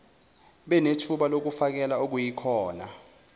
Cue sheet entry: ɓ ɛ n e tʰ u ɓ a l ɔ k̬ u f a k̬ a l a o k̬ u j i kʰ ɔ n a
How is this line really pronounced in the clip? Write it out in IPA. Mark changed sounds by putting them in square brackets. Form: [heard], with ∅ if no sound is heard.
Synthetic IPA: ɓ ɛ n e tʰ u ɓ a l [o] k̬ u f a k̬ [ɛ] l a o k̬ u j i kʰ [ɔː] n a